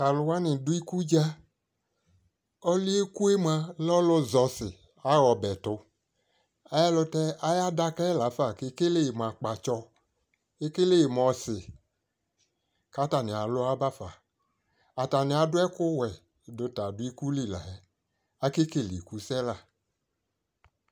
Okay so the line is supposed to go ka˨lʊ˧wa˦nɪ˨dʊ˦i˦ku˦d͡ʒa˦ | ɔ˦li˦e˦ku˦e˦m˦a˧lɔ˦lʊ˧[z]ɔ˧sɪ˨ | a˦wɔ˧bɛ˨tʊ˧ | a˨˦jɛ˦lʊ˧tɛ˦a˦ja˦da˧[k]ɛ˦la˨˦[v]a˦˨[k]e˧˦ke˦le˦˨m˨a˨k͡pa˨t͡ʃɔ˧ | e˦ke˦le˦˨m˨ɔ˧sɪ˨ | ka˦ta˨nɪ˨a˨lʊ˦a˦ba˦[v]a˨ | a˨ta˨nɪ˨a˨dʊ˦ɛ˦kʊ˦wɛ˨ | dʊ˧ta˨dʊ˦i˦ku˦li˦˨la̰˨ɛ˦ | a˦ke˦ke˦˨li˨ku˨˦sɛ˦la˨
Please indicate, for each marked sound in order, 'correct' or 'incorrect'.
correct, correct, incorrect, correct, incorrect

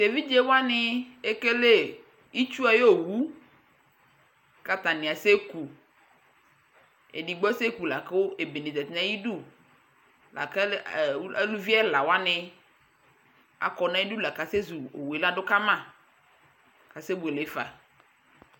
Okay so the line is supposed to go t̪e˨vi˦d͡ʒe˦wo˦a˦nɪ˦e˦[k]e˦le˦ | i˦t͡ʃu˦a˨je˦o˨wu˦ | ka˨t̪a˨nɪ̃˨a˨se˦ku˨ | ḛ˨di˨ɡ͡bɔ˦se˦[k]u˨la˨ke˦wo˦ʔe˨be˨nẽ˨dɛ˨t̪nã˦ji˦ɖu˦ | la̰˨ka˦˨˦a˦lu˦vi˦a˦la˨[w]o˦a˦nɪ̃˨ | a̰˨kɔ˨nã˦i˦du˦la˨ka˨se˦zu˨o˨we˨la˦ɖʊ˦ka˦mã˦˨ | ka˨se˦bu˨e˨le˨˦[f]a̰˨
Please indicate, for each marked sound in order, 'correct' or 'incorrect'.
correct, correct, correct, correct

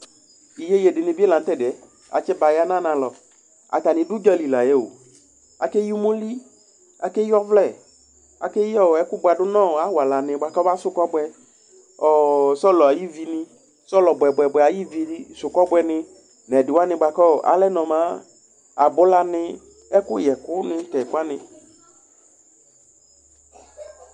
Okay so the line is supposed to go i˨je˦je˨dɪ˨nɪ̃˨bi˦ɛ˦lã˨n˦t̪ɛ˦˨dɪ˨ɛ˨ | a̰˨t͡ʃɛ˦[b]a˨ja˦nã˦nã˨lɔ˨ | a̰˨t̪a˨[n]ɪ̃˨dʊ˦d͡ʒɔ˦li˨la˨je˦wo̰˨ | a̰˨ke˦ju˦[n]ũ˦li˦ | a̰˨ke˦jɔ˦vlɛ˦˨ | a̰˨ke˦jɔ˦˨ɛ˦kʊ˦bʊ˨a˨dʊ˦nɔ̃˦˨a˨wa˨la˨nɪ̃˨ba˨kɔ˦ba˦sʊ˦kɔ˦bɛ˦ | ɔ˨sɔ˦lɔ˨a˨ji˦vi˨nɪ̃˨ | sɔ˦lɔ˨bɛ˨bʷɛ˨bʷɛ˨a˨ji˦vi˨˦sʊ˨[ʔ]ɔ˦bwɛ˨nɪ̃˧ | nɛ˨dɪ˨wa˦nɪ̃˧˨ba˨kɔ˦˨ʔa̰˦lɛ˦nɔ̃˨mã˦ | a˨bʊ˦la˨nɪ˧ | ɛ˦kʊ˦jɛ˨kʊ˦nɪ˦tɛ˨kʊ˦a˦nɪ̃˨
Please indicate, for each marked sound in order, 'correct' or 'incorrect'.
correct, correct, incorrect, incorrect

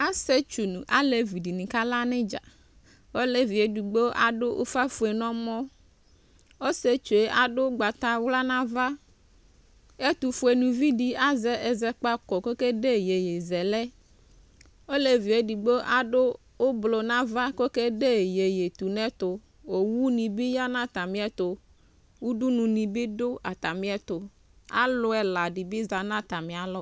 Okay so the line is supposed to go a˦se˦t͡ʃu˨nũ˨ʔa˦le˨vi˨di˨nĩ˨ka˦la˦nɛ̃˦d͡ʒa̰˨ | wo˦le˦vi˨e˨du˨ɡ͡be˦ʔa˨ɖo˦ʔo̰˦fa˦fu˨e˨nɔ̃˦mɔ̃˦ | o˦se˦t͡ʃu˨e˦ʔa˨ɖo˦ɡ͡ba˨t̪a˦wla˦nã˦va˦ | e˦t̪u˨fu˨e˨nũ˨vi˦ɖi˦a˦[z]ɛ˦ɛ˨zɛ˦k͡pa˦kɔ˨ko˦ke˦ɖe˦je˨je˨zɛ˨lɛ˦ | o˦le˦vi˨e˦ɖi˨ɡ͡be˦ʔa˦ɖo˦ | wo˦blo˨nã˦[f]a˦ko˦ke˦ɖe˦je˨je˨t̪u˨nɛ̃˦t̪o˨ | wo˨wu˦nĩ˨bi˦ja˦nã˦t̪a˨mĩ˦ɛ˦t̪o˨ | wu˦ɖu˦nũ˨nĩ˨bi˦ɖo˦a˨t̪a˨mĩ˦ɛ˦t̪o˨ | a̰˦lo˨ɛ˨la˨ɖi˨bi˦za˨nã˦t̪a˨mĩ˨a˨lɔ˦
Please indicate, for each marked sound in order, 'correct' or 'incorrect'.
correct, incorrect

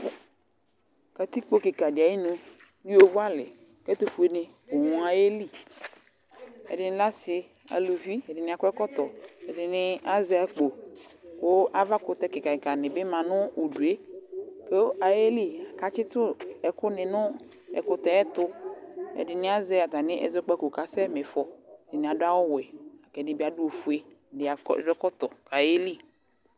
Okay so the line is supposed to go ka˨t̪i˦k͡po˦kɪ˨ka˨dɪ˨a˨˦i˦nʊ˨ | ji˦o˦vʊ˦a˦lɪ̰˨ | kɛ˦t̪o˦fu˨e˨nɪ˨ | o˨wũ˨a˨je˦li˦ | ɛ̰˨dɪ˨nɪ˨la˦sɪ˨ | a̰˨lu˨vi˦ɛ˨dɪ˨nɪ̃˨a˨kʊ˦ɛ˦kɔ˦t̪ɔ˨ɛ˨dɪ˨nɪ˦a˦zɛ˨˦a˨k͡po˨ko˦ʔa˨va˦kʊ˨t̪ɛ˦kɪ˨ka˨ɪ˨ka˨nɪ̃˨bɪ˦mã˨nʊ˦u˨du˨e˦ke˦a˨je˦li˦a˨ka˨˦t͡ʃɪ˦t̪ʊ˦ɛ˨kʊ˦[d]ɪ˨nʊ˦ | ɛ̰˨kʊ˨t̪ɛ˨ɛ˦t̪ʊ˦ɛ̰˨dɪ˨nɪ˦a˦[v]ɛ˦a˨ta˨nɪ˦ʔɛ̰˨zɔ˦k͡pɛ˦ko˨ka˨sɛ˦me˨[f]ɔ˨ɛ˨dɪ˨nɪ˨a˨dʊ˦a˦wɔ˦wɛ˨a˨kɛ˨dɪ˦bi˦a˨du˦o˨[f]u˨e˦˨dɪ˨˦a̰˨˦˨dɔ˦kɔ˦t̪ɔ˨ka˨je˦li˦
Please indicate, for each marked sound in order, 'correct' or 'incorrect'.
incorrect, incorrect, correct, correct

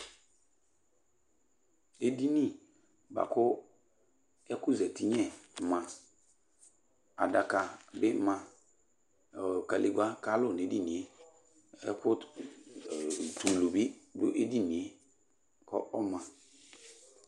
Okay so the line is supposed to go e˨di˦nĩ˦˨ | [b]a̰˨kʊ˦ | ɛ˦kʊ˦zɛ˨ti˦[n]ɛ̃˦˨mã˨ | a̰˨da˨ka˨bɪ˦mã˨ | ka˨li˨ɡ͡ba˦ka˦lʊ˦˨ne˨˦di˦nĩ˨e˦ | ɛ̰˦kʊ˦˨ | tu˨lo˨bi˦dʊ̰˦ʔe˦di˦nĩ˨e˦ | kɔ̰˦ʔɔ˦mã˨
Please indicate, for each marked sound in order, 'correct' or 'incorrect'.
correct, incorrect

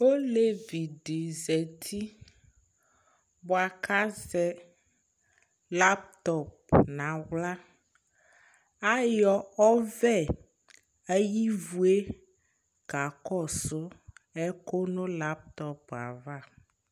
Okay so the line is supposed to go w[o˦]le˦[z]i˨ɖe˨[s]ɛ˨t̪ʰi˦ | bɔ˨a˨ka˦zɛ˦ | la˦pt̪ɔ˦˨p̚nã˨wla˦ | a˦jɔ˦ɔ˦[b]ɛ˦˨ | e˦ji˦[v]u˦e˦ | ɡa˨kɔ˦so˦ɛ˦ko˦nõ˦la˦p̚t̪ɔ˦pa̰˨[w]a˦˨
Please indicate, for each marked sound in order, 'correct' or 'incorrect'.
correct, incorrect, incorrect, incorrect, correct, incorrect

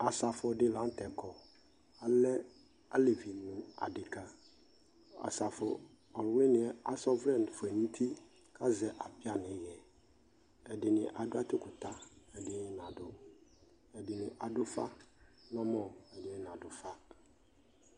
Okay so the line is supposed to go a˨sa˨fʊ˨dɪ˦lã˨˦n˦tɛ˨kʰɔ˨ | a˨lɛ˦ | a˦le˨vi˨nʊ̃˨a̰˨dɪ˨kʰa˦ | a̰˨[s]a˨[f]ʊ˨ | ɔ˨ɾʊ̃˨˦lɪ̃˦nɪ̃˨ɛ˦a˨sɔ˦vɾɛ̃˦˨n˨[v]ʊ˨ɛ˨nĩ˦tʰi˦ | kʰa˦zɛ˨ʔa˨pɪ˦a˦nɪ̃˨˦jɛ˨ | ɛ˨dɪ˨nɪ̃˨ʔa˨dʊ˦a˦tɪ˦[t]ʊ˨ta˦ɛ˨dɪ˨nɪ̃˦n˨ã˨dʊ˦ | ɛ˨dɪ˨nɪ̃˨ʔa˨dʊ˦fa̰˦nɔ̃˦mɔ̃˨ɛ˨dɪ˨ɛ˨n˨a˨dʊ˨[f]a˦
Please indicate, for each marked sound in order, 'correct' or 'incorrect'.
correct, correct, incorrect, incorrect, correct

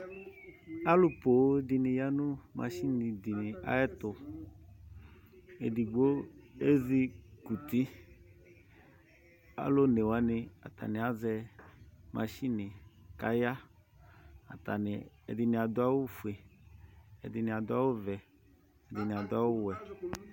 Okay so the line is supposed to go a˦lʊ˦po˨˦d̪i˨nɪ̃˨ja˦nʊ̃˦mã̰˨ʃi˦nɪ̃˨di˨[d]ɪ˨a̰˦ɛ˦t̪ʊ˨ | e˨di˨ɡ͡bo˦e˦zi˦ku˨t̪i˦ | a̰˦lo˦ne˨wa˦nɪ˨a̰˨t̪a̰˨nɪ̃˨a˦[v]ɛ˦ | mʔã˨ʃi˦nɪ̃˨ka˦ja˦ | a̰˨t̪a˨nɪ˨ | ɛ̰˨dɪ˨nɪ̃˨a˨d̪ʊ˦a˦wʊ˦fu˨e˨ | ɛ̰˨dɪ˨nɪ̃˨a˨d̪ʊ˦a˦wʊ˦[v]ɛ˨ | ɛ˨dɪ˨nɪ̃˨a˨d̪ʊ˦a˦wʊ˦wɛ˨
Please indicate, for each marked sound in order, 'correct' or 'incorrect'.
incorrect, incorrect, correct

